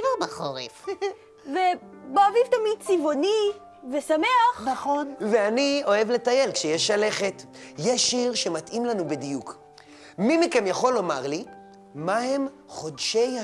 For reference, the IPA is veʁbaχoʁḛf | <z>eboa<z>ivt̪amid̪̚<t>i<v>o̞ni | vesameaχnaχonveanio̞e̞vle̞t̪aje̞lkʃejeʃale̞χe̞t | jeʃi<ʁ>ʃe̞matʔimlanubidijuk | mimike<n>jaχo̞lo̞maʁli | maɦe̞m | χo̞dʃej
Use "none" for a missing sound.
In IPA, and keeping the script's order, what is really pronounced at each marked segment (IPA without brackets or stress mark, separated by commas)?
v, v, t͡s, v, ʁ, m